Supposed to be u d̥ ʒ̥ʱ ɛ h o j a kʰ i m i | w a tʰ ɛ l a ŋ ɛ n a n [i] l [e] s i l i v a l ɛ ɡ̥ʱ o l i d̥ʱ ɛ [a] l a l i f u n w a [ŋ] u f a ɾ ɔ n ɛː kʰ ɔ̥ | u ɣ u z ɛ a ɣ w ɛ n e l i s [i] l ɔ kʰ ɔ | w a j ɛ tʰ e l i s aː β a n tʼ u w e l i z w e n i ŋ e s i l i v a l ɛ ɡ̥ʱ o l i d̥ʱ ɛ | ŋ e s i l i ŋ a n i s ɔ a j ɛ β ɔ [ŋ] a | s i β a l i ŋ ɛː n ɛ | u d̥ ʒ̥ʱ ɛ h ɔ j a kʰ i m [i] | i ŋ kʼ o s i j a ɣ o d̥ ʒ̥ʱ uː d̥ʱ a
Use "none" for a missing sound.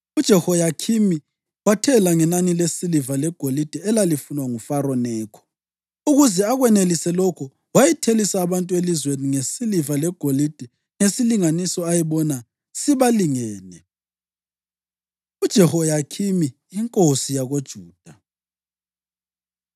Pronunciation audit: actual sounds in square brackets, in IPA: i, e, ɛ, ŋ, ɛ, n, i

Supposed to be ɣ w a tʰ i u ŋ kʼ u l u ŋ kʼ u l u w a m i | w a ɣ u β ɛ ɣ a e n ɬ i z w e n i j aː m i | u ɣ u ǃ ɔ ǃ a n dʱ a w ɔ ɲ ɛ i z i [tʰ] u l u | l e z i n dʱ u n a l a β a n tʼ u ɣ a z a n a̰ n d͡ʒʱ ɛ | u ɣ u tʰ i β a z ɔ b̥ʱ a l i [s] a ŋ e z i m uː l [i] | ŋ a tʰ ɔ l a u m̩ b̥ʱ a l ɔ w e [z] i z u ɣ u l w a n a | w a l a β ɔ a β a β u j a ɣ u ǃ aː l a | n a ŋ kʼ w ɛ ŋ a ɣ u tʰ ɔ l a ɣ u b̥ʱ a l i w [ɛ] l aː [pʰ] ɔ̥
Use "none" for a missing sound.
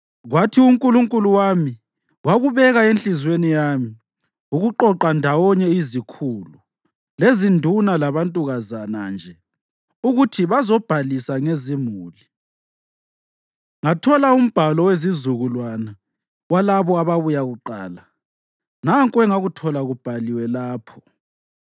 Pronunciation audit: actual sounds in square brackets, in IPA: kʰ, s, i, z, ɛ, pʰ

